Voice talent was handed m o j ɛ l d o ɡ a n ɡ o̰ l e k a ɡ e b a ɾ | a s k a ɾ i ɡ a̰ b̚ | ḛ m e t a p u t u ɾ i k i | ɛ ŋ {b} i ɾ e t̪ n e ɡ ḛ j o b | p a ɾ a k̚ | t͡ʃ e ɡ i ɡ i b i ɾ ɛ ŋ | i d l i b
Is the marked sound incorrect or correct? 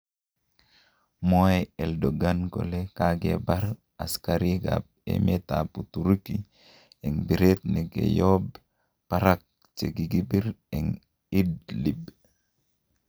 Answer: correct